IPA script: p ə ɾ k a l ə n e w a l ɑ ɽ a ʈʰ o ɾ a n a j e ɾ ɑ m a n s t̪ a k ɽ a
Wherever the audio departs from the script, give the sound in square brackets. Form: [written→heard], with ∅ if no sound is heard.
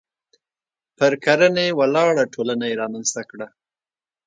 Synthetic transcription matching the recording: p ə ɾ k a [l→ɾ] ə n e w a l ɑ ɽ a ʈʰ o [ɾ→l] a n a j e ɾ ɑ m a n s t̪ a k ɽ a